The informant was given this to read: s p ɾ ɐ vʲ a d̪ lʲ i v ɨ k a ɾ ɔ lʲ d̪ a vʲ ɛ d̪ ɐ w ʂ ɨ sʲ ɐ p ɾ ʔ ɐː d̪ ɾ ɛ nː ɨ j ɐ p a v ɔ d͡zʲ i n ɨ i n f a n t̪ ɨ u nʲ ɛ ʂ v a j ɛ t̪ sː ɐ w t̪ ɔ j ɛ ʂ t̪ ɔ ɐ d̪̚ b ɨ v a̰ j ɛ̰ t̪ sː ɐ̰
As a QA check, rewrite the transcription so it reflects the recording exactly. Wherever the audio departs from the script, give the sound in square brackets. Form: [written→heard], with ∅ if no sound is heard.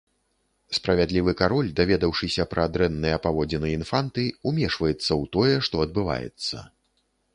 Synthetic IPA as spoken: s p ɾ ɐ vʲ a d̪ lʲ i v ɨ k a ɾ ɔ lʲ d̪ a vʲ ɛ d̪ ɐ w ʂ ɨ sʲ ɐ p ɾ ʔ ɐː d̪ ɾ ɛ nː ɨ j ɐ p a v ɔ d͡zʲ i n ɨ i n f a n t̪ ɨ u [nʲ→mʲ] ɛ ʂ v [a→ɐ] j ɛ t̪ sː ɐ w t̪ ɔ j ɛ ʂ t̪ ɔ ɐ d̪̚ b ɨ v a̰ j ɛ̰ t̪ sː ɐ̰